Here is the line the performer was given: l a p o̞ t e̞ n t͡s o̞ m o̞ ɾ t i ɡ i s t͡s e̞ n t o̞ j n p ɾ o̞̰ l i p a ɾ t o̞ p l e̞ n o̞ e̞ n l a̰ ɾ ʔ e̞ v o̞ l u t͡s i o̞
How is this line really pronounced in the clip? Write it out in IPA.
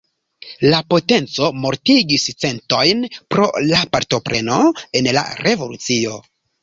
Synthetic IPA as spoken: l a p o̞ t e̞ n t͡s o̞ m o̞ ɾ t i ɡ i s t͡s e̞ n t o̞ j n p ɾ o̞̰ l a p a ɾ t o̞ p ɾ e̞ n o̞ e̞ n l a̰ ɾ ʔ e̞ v o̞ l u t͡s i o̞